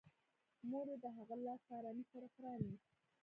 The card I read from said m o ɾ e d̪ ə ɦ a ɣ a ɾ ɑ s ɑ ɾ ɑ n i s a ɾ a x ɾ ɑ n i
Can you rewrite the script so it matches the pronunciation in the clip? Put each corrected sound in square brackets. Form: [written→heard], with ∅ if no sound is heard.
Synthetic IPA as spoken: m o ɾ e d̪ ə ɦ a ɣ a [ɾ→l] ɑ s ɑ ɾ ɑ n i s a ɾ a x ɾ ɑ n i